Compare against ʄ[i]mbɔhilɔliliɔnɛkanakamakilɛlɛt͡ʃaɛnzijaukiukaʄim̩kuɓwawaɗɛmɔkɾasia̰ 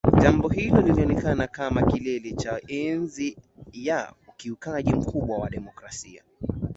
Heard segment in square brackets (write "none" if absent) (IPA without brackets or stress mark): a